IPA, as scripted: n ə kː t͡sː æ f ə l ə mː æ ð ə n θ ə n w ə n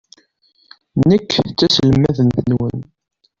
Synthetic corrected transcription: n ə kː t͡sː æ s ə l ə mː æ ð ə n θ ə n w ə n